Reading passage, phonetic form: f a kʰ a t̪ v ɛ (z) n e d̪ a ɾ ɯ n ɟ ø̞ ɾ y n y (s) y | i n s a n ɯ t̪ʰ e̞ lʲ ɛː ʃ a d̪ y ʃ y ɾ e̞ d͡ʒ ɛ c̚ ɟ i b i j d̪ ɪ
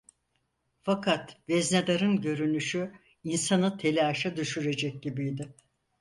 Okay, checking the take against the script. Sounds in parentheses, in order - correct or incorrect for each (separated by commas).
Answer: correct, incorrect